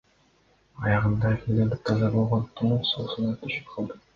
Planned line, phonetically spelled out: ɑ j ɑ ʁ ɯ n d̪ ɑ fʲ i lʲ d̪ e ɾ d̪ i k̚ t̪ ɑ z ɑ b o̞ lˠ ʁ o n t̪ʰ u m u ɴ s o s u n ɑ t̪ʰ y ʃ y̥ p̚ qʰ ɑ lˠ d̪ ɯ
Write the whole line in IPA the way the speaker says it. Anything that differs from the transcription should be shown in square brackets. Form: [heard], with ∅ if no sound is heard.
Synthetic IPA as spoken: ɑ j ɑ ʁ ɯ n d̪ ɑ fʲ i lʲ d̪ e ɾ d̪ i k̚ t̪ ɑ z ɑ b o̞ lˠ ʁ o n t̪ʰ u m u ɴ s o s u n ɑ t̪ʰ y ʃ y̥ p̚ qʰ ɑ lˠ d̪ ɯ